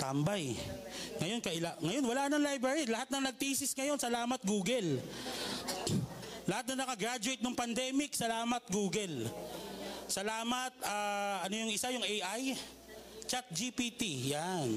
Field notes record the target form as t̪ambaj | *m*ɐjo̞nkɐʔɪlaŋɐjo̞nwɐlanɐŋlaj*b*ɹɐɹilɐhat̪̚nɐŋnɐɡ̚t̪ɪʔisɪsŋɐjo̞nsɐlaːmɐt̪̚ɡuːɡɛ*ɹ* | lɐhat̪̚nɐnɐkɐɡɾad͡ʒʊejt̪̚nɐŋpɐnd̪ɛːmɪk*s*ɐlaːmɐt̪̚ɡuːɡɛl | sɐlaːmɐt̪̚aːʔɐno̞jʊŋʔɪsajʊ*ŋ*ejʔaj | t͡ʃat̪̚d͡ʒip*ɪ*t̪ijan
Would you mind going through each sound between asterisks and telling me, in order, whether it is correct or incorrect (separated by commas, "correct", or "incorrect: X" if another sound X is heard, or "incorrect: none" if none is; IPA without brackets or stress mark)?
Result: incorrect: ŋ, correct, incorrect: l, correct, correct, incorrect: i